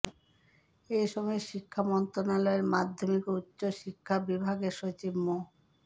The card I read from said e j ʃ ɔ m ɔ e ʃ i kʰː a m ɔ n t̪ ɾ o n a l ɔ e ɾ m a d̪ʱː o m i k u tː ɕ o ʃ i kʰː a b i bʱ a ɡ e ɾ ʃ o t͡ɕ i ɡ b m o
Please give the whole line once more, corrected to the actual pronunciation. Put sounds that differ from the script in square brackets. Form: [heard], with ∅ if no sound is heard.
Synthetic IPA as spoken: e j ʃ ɔ m ɔ e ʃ i kʰː a m ɔ n t̪ ɾ o n a l ɔ e ɾ m a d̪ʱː o m i k u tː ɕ o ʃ i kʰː a b i bʱ a ɡ e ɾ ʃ o t͡ɕ i [∅] b m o